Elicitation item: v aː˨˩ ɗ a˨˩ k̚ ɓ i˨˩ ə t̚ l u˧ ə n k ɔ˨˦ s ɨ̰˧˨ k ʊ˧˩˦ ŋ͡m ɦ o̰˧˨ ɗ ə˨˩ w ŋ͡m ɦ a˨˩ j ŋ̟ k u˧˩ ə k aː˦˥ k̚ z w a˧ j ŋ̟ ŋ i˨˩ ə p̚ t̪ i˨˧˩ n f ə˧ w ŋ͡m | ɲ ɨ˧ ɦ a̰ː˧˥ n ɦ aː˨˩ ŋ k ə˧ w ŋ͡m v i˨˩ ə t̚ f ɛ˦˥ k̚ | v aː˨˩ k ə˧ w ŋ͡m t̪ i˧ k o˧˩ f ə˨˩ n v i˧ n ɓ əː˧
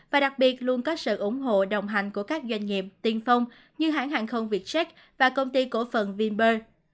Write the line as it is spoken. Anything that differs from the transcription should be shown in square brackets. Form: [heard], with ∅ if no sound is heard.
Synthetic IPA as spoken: v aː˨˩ ɗ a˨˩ k̚ ɓ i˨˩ ə t̚ l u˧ ə n k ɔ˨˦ s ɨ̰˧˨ [ʔ] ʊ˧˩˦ ŋ͡m ɦ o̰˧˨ ɗ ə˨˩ w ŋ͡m ɦ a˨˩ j ŋ̟ k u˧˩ ə k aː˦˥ k̚ z w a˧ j ŋ̟ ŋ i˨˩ ə p̚ t̪ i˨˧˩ n f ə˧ w ŋ͡m | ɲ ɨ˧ ɦ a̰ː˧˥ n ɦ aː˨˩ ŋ [x] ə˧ w ŋ͡m v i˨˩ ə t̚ [s] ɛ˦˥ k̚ | v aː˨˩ k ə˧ w ŋ͡m t̪ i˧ k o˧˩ f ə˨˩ n v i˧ n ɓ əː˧

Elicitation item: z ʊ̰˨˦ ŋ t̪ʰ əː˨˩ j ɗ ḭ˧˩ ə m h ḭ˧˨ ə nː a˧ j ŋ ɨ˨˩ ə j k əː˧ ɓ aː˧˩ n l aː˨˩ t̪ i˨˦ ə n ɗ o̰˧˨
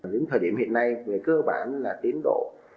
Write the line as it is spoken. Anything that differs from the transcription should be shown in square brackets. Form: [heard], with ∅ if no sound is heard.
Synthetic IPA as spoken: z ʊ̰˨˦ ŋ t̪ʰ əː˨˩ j ɗ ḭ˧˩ ə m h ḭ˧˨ ə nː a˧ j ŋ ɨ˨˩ ə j k əː˧ ɓ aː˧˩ n l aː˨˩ t̪ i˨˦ ə n ɗ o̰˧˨

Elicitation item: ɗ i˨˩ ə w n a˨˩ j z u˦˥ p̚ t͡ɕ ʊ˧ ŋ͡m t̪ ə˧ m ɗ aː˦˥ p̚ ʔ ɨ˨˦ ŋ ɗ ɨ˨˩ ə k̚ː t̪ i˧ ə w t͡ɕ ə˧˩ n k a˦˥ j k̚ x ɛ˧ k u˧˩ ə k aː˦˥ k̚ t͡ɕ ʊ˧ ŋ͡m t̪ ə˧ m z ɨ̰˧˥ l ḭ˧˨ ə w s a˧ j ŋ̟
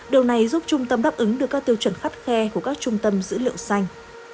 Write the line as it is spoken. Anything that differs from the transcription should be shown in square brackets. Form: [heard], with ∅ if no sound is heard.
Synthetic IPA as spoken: ɗ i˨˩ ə w n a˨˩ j z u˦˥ p̚ t͡ɕ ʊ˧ ŋ͡m t̪ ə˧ m ɗ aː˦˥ p̚ ʔ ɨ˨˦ ŋ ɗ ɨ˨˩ ə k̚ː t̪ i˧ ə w t͡ɕ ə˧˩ n [x] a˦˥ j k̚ x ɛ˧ k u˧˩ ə k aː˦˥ k̚ t͡ɕ ʊ˧ ŋ͡m t̪ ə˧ m z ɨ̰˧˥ l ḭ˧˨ ə w s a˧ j ŋ̟

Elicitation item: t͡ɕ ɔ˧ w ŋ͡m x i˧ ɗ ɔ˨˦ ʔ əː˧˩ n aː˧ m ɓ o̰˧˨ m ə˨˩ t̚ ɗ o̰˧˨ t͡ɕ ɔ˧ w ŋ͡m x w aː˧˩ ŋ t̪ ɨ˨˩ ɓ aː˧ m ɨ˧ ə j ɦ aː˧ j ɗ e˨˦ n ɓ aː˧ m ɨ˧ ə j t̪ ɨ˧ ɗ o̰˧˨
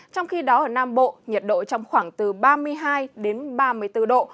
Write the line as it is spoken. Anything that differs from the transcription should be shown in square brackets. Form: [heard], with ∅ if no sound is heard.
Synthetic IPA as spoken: t͡ɕ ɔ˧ w ŋ͡m x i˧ ɗ ɔ˨˦ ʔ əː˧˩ n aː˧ m ɓ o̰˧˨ [ɲ] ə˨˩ t̚ ɗ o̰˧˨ t͡ɕ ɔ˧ w ŋ͡m x w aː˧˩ ŋ t̪ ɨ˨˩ ɓ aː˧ m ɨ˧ ə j ɦ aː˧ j ɗ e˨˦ n ɓ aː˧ m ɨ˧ ə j t̪ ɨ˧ ɗ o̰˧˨

